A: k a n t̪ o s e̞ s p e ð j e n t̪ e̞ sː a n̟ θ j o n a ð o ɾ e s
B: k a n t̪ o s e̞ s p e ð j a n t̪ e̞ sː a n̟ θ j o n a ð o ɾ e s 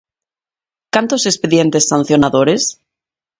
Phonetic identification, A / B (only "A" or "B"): A